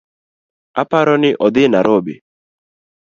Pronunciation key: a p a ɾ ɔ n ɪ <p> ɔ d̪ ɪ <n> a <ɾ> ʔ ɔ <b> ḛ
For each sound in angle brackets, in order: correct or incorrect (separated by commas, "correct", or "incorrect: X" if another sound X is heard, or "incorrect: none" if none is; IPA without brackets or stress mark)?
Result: incorrect: ʔ, correct, correct, correct